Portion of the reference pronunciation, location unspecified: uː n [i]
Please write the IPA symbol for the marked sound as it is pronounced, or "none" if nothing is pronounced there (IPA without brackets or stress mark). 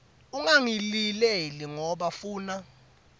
a